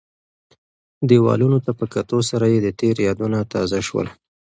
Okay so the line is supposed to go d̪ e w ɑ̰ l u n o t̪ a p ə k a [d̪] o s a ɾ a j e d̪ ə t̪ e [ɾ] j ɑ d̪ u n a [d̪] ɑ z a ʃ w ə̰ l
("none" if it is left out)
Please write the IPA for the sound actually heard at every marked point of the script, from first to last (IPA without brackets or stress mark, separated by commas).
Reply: t̪, ɾ, t̪